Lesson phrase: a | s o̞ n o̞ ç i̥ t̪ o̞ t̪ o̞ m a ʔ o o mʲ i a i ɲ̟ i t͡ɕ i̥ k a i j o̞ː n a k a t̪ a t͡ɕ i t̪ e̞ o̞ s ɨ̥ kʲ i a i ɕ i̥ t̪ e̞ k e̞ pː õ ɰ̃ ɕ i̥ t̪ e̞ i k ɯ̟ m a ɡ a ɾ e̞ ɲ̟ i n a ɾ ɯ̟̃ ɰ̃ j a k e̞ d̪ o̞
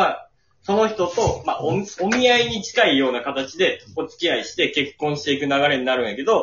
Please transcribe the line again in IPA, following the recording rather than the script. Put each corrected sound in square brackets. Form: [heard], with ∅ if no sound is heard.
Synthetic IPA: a | s o̞ n o̞ ç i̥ t̪ o̞ t̪ o̞ m a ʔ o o mʲ i a i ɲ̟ i t͡ɕ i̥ k a i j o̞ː n a k a t̪ a t͡ɕ i [d̪] e̞ o̞ [t͡s] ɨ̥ kʲ i a i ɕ i̥ t̪ e̞ k e̞ [kː] õ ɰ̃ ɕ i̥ t̪ e̞ i k ɯ̟ [n] a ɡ a ɾ e̞ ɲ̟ i n a ɾ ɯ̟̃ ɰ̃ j a k e̞ d̪ o̞